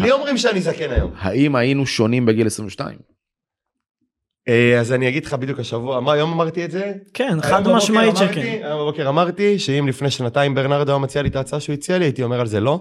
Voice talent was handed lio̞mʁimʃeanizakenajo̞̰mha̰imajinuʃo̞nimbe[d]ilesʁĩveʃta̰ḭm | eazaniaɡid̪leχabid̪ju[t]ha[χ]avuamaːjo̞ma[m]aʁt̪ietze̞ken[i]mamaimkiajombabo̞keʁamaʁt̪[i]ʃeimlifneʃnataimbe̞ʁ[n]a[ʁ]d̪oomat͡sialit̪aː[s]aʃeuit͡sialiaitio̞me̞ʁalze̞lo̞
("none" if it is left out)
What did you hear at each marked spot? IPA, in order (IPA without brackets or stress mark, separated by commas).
ɡ, k, ʃ, m, a, i, n, ʁ, t͡s